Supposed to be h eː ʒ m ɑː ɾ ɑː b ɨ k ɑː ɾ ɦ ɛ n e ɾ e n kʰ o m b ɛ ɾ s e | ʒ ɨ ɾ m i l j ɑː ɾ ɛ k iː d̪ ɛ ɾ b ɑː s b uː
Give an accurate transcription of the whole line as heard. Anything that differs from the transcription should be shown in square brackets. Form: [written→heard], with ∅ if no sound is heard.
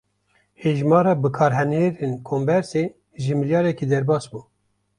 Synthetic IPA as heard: h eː ʒ m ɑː ɾ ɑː b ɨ [k→kʰ] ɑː ɾ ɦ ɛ n e ɾ e n kʰ o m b ɛ ɾ s e | ʒ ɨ [ɾ→∅] m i l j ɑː ɾ ɛ k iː d̪ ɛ ɾ b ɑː s b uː